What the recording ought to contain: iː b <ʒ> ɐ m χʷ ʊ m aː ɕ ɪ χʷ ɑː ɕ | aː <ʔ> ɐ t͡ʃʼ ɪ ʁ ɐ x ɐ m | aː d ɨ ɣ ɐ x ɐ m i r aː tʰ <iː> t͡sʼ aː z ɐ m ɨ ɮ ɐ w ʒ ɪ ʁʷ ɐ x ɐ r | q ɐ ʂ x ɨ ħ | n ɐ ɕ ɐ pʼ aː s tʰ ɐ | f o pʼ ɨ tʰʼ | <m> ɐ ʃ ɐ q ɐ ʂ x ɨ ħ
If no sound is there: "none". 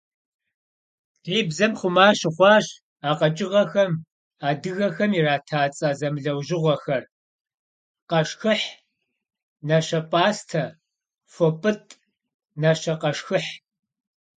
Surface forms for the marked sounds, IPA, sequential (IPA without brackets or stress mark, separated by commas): z, q, aː, n